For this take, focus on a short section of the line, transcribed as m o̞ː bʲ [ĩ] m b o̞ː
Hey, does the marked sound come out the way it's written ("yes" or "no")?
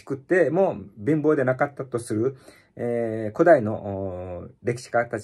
yes